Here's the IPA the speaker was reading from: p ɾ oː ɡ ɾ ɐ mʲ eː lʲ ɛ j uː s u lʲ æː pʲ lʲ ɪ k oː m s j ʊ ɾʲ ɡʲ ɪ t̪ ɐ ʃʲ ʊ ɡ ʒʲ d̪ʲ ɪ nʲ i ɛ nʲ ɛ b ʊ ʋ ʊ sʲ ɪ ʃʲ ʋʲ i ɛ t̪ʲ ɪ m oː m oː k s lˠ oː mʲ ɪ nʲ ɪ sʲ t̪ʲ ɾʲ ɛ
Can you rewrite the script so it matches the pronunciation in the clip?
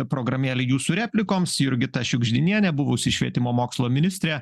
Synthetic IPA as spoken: p ɾ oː ɡ ɾ ɐ mʲ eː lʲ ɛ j uː s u ɾʲ æː pʲ lʲ ɪ k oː m s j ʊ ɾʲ ɡʲ ɪ t̪ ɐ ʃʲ ʊ ɡ ʒʲ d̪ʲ ɪ nʲ i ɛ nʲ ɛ b ʊ ʋ ʊ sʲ ɪ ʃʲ ʋʲ i ɛ t̪ʲ ɪ m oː m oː k s lˠ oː mʲ ɪ nʲ ɪ sʲ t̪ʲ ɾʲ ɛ